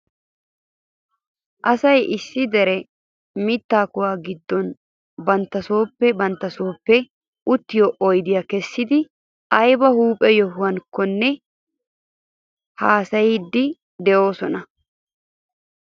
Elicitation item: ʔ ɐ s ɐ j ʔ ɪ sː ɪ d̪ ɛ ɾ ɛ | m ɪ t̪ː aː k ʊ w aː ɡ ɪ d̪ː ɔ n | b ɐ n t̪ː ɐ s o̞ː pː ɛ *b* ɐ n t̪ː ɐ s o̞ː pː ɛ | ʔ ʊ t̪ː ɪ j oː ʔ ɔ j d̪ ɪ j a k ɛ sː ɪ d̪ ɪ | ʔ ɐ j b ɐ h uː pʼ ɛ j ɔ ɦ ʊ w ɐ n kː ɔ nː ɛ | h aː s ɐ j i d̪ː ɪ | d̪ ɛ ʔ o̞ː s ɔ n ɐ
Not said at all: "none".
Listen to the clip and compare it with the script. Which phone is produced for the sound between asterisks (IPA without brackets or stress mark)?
b